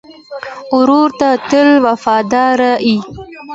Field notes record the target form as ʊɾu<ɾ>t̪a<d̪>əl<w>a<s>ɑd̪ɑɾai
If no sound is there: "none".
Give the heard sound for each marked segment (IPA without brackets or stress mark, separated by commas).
ɾ, t̪, w, f